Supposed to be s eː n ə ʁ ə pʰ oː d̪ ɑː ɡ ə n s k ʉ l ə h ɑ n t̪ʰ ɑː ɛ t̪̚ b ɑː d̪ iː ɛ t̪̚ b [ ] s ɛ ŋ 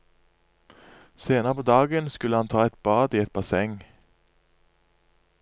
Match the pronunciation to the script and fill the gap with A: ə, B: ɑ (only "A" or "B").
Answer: B